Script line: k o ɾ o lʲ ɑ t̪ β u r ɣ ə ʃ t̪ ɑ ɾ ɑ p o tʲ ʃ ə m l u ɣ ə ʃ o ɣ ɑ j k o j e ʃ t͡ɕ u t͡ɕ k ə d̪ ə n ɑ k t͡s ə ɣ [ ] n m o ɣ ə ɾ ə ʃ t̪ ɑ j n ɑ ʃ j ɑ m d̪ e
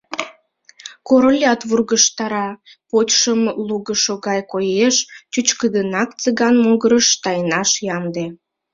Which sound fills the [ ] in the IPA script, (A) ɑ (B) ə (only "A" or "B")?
A